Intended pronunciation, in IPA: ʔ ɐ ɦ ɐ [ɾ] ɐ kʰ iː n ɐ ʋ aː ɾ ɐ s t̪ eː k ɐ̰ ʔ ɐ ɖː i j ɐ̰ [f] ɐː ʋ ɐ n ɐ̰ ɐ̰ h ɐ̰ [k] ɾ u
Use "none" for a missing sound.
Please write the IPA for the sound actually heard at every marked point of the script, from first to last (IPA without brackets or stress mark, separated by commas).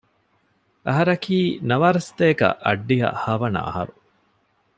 ɾ, h, none